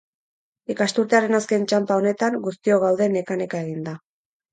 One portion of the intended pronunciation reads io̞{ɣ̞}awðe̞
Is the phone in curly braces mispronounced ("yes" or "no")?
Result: no